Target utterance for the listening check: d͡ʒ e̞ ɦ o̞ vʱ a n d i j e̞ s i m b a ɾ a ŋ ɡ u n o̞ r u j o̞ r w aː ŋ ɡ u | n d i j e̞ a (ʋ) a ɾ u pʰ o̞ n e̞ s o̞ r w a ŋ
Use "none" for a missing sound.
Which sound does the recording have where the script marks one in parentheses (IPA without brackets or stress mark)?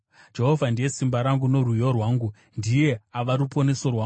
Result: ʋ